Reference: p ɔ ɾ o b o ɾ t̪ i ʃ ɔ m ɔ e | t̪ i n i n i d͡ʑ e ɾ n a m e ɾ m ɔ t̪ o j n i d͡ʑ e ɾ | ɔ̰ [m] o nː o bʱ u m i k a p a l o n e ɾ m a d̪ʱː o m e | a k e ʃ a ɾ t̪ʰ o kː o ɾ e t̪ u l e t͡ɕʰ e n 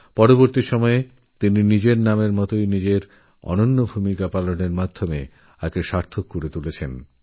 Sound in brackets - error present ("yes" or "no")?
yes